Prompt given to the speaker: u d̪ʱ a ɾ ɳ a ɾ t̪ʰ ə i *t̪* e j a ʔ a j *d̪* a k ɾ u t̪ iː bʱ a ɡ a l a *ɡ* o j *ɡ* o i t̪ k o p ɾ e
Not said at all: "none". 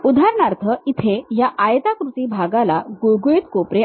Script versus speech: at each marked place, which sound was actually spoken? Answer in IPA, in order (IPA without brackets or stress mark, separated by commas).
t̪ʰ, t̪, ɡ, ɡ